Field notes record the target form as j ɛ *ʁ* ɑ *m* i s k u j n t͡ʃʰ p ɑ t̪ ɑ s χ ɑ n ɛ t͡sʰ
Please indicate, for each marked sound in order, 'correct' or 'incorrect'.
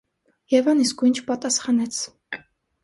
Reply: incorrect: v, incorrect: n

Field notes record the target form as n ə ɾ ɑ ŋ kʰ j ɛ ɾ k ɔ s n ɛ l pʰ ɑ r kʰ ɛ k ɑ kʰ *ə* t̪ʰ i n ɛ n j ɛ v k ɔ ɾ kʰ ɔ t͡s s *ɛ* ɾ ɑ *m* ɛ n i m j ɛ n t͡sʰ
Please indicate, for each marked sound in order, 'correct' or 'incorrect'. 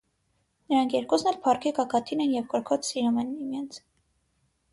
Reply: incorrect: ɑ, incorrect: i, correct

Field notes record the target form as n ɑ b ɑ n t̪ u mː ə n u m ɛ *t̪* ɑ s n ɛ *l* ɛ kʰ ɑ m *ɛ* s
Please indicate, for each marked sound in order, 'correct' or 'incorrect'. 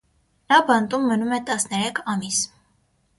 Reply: correct, incorrect: ɾ, incorrect: i

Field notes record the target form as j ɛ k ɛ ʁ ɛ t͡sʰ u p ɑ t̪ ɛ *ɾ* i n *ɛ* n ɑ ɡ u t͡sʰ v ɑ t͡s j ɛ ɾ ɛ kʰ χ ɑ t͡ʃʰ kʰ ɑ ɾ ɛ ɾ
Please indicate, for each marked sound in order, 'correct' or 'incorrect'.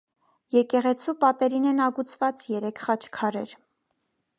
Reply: correct, correct

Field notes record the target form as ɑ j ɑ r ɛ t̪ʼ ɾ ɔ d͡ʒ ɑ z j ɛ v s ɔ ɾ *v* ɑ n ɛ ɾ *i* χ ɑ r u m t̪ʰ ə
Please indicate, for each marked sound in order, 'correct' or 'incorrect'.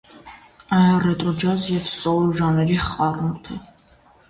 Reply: incorrect: ʒ, correct

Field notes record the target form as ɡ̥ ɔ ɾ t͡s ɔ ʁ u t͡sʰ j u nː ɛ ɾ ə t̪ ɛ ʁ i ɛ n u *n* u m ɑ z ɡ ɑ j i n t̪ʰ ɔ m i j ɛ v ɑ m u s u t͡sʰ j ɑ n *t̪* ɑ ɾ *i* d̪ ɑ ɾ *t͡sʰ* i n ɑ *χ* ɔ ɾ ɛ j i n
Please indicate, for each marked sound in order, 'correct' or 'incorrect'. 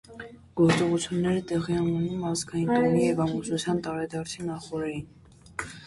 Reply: correct, correct, incorrect: ɛ, correct, correct

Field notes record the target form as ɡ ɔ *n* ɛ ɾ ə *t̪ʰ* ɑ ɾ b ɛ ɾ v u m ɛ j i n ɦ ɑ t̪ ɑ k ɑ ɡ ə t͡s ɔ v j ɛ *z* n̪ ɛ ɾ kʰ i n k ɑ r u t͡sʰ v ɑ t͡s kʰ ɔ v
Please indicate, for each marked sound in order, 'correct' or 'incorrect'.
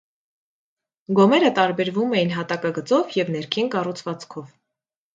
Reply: incorrect: m, incorrect: t̪, incorrect: v

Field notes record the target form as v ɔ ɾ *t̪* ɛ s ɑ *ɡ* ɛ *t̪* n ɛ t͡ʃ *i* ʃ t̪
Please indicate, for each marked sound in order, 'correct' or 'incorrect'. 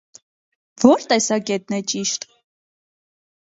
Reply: correct, incorrect: k, correct, correct

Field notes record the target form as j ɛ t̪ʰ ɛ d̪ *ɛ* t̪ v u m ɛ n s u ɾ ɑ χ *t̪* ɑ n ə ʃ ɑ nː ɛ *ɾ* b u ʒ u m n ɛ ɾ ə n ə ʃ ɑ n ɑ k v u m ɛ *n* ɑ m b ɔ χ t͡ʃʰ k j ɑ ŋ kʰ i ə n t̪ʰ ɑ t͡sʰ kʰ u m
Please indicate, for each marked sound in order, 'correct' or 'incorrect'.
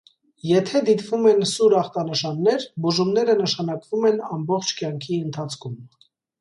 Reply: incorrect: i, correct, correct, correct

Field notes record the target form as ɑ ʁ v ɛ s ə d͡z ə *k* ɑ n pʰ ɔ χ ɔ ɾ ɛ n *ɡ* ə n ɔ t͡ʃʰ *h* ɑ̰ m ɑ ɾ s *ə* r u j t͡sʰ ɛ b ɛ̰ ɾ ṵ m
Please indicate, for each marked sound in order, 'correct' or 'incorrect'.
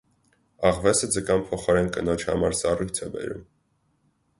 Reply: correct, incorrect: k, correct, incorrect: ɑ

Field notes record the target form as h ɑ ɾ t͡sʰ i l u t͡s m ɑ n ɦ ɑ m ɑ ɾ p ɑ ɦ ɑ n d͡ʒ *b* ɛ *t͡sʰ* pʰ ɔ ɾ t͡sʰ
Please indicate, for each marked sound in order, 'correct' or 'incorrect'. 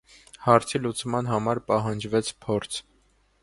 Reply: incorrect: v, correct

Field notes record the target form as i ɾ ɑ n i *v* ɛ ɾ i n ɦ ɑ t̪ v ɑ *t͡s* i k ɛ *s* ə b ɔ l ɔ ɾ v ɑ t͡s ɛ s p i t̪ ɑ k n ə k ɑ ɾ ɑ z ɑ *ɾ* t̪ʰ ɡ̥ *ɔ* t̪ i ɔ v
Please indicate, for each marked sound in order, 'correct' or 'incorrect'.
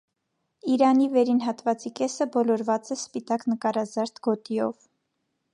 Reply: correct, correct, correct, correct, correct

